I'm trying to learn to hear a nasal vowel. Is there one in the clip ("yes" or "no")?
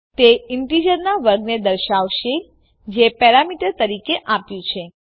yes